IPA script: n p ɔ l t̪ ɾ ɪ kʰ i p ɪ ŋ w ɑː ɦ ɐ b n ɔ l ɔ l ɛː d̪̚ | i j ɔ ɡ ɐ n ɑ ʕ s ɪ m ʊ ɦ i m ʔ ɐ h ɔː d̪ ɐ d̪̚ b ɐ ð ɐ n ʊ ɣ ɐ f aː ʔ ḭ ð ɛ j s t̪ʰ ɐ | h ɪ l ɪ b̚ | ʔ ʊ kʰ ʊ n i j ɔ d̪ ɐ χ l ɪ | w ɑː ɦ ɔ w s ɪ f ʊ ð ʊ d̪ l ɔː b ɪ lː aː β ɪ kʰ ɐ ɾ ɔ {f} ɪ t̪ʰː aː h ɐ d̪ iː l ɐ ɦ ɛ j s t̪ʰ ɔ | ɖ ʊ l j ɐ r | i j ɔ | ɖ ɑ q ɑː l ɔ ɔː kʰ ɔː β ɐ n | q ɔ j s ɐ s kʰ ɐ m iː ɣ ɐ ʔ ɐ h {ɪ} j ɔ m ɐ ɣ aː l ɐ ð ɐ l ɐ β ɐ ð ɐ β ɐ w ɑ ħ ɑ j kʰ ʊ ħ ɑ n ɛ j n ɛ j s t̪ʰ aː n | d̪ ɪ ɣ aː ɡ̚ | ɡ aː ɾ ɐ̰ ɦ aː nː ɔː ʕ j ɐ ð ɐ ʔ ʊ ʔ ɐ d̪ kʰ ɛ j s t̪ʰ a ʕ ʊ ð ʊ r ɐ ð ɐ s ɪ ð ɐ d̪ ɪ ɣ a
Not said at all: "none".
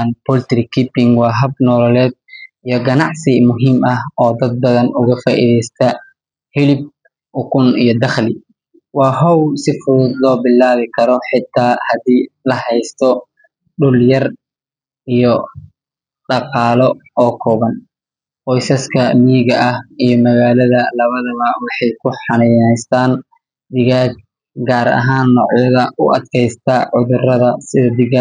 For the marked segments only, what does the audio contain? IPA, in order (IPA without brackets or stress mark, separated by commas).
ħ, i